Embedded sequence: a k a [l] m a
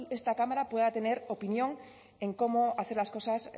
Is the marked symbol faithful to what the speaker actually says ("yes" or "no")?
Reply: no